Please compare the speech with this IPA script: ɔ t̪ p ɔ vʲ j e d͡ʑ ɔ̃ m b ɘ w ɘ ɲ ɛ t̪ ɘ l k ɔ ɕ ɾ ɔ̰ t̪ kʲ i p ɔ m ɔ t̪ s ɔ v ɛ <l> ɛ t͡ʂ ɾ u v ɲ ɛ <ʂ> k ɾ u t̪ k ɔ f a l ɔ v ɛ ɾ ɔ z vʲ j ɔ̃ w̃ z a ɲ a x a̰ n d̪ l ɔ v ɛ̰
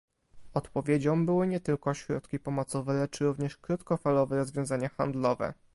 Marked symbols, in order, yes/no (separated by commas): yes, yes